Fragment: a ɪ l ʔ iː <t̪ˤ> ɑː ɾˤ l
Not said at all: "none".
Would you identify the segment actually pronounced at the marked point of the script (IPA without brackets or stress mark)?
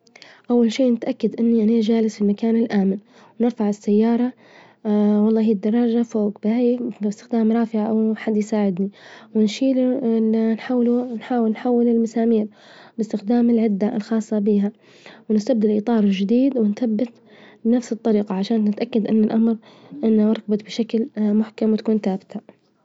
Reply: t̪ˤ